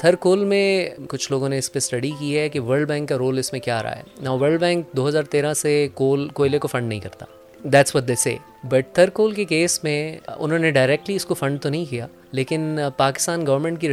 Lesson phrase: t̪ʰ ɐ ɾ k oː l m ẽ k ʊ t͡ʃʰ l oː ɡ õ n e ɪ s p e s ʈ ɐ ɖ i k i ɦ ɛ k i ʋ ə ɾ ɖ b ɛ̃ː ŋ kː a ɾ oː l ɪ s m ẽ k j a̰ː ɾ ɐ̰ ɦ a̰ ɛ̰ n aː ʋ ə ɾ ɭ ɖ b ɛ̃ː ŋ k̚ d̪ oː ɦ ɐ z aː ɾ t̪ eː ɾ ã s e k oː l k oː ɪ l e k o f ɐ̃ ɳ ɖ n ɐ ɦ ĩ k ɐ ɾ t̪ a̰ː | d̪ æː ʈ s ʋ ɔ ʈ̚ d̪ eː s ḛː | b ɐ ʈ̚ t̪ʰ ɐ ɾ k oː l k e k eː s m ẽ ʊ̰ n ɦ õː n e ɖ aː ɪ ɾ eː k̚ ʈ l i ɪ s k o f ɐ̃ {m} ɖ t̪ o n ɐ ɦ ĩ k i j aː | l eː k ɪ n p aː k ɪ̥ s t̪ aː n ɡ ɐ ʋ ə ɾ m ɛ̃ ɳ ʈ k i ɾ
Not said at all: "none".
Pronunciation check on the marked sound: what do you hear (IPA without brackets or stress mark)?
ɳ